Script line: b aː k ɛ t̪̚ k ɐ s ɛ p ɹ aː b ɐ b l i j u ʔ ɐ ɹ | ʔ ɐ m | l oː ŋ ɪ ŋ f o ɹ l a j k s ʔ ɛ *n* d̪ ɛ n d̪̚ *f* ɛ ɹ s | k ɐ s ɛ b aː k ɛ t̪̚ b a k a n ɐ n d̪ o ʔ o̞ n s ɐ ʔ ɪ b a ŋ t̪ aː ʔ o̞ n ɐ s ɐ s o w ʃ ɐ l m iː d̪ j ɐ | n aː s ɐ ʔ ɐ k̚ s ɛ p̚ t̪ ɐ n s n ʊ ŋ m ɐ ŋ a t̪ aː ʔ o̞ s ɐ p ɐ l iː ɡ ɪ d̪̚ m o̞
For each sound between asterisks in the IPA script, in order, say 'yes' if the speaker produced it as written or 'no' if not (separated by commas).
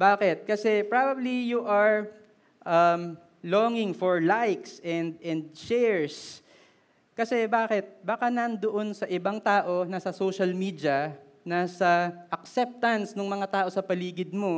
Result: yes, no